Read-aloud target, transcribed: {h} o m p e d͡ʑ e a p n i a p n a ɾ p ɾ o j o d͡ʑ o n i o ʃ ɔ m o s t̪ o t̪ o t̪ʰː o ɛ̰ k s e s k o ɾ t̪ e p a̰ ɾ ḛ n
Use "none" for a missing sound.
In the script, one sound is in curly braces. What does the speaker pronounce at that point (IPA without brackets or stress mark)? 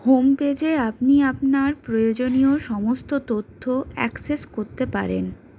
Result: h